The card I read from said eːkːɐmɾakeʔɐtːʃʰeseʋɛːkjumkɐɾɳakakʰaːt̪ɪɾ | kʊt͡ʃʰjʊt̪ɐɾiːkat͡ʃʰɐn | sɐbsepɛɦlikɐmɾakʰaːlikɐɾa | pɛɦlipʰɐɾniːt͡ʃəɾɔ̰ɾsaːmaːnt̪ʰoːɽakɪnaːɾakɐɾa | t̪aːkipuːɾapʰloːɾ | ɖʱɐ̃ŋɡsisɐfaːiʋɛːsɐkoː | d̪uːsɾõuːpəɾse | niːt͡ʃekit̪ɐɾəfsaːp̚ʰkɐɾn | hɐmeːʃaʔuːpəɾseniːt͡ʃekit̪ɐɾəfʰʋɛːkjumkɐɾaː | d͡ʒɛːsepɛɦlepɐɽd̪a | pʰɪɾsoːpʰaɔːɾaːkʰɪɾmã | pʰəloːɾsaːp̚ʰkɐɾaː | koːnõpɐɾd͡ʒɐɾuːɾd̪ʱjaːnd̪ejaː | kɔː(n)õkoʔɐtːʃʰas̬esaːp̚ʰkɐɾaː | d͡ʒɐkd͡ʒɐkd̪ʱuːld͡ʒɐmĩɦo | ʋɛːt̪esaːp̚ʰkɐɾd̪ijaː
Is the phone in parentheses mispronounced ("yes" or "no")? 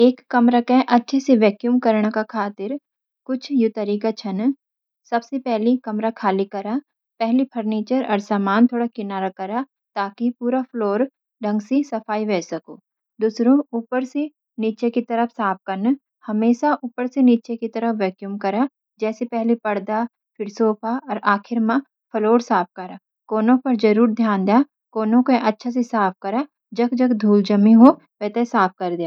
no